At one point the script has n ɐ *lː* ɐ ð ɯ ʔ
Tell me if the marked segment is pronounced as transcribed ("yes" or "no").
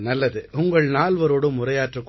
yes